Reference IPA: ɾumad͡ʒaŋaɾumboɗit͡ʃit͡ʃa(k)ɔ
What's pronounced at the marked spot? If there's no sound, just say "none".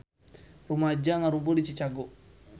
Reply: ɡ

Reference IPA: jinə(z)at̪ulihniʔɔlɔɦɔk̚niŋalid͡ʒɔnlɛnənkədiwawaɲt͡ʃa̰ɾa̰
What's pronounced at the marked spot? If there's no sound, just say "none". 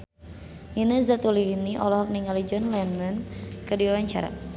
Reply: z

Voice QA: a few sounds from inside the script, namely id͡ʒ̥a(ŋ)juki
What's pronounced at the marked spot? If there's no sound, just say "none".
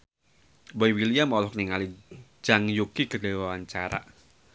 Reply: ŋ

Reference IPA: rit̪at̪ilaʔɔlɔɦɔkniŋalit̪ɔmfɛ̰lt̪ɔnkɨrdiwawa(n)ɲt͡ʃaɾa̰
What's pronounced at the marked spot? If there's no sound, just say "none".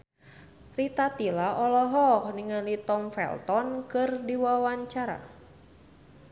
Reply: none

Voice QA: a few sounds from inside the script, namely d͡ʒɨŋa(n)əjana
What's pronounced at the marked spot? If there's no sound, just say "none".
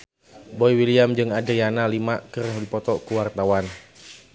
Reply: d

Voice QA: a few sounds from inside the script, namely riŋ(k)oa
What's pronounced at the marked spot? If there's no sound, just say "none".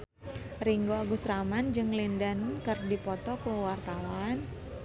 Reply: ɡ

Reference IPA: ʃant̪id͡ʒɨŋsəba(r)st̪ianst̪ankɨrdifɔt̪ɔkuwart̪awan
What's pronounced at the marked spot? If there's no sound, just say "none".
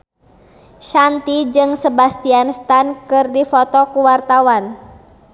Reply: none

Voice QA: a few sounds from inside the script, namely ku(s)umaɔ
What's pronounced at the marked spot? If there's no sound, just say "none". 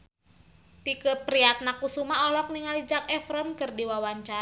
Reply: s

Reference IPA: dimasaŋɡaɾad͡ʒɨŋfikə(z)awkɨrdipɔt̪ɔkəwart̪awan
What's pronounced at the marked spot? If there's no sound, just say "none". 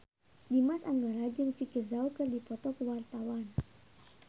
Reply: z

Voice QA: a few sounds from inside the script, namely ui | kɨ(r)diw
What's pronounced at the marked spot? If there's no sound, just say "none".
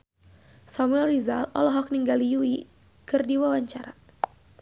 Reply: r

